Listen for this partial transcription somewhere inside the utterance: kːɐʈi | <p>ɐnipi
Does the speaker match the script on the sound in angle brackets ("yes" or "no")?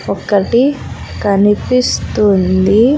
no